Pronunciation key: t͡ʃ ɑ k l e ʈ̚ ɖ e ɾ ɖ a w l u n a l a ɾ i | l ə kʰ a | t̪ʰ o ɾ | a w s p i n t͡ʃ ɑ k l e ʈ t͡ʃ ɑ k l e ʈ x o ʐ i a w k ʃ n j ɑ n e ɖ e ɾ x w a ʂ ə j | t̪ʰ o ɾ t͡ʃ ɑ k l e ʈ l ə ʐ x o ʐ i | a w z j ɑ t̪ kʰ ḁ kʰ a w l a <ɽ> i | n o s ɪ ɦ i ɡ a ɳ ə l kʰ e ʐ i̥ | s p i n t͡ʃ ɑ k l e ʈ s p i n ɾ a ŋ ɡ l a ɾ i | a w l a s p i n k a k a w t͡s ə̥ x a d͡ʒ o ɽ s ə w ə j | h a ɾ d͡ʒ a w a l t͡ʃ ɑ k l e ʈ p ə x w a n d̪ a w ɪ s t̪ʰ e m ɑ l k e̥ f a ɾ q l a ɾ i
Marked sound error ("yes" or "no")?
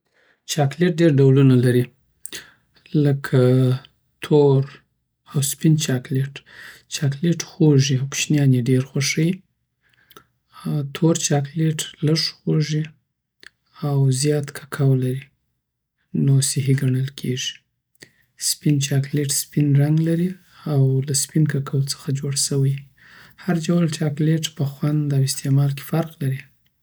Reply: yes